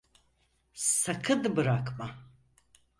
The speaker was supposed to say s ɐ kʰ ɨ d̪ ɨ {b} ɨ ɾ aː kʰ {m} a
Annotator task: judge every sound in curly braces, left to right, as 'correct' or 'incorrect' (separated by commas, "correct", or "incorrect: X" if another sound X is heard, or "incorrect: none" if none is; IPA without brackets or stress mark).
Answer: correct, correct